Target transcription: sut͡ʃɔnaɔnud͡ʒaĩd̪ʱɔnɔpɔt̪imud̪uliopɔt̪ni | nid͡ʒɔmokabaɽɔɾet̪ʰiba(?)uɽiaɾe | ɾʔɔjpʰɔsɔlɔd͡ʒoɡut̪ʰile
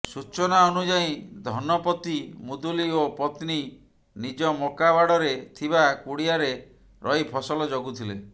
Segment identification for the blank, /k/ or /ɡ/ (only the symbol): k